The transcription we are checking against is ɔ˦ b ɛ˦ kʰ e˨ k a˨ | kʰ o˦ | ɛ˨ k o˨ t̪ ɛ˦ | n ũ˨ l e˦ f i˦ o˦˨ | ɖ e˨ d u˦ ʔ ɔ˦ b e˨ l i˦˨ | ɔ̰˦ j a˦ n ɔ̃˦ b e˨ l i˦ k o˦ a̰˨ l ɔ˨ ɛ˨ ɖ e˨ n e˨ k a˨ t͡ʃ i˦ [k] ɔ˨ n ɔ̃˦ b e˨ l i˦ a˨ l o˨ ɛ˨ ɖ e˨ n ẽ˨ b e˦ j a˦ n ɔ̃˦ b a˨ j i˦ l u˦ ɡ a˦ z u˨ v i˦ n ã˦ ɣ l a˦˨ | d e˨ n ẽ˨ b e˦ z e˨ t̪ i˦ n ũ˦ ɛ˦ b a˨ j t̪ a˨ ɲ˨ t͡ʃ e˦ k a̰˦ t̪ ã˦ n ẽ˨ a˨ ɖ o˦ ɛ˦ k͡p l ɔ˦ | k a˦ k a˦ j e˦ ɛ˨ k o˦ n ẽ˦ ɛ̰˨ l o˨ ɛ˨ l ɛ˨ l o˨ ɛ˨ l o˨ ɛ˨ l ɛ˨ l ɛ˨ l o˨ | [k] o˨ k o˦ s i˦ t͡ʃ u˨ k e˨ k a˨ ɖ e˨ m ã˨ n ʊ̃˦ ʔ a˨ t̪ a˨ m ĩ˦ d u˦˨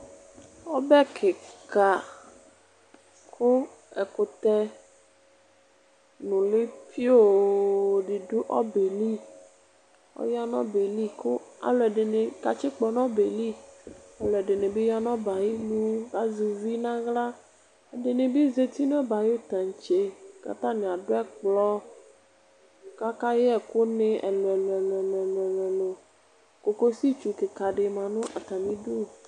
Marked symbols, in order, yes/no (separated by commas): no, yes